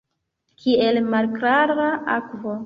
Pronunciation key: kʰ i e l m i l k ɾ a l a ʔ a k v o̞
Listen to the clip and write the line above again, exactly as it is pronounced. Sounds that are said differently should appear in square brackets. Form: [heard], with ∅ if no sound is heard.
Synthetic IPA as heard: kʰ i e l m [a] l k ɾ a [ɾ] a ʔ a k v o̞